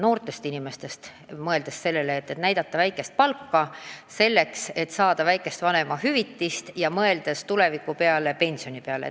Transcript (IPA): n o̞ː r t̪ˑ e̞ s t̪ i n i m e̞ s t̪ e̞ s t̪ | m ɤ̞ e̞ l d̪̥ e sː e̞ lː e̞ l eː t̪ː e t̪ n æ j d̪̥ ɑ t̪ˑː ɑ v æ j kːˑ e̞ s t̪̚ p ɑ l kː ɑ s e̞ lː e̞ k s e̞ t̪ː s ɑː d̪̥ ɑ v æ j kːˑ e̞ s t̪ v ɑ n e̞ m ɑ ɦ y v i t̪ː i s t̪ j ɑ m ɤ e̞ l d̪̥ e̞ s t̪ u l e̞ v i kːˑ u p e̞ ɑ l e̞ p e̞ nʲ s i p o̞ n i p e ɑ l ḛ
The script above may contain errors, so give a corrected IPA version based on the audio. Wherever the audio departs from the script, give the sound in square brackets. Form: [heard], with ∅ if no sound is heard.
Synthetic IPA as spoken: n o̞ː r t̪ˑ e̞ s t̪ i n i m e̞ s t̪ e̞ s t̪ | m ɤ̞ e̞ l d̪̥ e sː e̞ lː e̞ l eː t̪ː e t̪ n æ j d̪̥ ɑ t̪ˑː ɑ v æ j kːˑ e̞ s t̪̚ p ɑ l kː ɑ s e̞ lː e̞ k s e̞ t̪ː s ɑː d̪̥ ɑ v æ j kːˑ e̞ s t̪ v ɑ n e̞ m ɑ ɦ y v i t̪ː i s t̪ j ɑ m ɤ e̞ l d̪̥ e̞ s t̪ u l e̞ v i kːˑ u p e̞ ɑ l e̞ p e̞ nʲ s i [∅] o̞ n i p e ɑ l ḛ